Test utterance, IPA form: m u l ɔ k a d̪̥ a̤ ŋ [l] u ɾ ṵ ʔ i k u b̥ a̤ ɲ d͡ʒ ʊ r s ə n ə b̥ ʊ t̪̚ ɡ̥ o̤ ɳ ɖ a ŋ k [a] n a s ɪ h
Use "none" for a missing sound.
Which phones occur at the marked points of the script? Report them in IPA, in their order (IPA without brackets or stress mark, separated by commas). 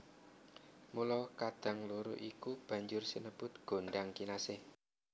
l, i